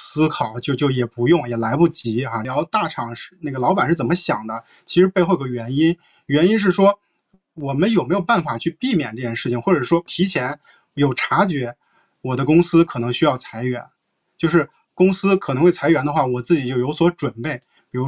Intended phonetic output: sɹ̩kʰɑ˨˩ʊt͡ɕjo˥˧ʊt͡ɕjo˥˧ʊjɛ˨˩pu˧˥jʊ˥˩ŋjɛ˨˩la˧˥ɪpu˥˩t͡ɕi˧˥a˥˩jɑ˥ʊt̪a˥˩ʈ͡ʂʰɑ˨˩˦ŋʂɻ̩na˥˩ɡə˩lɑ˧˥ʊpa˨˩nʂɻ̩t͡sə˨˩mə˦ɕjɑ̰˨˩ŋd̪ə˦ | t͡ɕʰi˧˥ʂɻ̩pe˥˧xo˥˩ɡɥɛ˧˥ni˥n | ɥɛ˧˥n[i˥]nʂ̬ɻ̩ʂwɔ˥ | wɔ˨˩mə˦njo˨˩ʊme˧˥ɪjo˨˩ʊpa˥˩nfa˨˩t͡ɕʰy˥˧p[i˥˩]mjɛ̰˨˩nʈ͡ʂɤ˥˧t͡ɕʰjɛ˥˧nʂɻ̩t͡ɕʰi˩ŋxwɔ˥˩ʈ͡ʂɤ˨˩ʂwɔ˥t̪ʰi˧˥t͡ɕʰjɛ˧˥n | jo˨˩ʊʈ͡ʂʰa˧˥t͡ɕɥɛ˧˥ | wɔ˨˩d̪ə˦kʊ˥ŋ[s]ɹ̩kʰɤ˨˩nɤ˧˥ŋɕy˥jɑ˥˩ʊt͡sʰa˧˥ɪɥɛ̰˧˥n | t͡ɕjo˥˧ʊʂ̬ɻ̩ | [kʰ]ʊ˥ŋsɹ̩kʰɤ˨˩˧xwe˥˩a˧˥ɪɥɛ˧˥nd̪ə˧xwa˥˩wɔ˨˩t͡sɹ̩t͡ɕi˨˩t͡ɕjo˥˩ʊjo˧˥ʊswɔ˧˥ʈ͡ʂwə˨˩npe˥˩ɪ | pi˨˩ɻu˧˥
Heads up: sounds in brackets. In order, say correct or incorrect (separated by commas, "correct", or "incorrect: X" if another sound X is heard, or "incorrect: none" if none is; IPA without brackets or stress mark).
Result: correct, correct, correct, incorrect: k